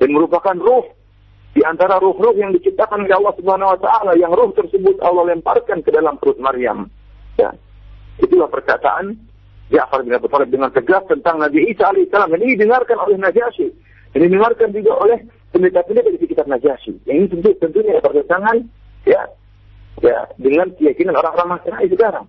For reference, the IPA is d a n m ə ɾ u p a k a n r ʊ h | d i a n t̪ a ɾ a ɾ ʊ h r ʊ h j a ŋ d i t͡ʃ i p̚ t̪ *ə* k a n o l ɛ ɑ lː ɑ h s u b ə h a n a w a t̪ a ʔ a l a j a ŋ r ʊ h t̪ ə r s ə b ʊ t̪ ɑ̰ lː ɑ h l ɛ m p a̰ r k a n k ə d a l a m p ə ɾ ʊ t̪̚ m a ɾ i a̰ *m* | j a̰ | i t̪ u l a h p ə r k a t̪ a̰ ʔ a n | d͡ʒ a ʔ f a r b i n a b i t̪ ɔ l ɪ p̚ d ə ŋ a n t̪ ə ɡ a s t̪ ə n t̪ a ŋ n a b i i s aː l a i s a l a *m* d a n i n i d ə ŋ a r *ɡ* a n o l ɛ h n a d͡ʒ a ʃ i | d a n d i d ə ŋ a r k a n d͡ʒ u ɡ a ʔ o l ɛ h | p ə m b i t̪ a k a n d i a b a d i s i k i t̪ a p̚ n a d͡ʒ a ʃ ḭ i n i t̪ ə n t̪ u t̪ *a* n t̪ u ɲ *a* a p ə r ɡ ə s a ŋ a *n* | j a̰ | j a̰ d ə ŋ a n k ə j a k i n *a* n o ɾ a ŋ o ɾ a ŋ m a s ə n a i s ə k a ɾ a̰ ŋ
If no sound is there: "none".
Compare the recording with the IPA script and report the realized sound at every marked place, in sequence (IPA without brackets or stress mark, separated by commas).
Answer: a, m, m, k, ə, a, n, a